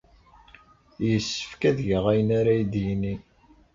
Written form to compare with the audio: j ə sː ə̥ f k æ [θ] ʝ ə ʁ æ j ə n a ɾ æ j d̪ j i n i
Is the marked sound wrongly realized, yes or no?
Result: yes